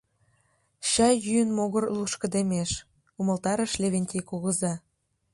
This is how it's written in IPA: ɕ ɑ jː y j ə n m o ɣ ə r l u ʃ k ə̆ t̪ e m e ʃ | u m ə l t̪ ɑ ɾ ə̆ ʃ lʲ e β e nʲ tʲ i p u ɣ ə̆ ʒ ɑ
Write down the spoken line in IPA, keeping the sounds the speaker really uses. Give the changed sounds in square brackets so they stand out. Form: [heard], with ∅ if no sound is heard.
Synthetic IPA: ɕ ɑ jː y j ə n m o ɣ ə r l u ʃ k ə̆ [d̪] e m e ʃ | u m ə l t̪ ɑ ɾ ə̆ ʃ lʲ e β e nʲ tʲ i [k] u ɣ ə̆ [z] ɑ